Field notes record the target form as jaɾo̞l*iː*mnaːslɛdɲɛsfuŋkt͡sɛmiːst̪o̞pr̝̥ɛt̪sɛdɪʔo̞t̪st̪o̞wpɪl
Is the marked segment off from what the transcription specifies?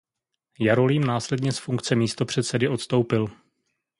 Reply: no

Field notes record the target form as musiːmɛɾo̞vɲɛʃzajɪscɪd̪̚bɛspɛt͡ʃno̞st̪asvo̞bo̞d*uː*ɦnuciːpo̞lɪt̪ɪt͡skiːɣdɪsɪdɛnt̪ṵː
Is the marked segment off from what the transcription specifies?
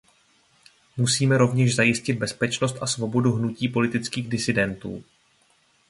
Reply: yes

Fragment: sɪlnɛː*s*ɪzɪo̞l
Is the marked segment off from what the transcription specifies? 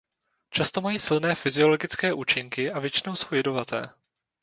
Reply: yes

